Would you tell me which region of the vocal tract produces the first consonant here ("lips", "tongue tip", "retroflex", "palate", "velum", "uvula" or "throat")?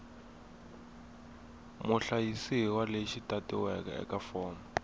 lips